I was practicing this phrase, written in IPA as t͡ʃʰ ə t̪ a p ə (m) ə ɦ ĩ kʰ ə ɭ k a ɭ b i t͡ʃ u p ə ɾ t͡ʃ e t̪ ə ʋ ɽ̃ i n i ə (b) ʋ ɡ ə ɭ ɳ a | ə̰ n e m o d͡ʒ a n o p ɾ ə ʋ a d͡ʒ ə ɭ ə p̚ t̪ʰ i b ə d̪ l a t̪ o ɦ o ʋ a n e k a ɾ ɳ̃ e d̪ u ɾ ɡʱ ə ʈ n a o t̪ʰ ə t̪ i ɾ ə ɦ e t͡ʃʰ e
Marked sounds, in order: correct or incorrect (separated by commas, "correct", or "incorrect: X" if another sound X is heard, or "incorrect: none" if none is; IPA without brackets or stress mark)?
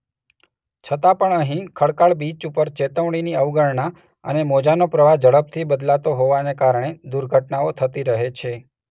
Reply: incorrect: ɳ, incorrect: none